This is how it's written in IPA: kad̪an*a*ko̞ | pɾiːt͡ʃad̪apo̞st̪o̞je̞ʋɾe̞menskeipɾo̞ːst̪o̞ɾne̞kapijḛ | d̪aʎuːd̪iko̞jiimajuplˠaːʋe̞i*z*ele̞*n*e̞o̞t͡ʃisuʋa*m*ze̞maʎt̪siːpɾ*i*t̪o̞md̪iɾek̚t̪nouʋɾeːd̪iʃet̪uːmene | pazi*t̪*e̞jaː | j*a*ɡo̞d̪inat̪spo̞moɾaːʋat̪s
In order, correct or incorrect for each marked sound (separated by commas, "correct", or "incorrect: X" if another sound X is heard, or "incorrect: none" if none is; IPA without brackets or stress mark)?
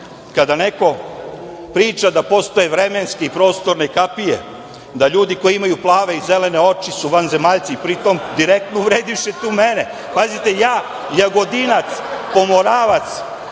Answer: incorrect: e, correct, correct, incorrect: n, correct, correct, correct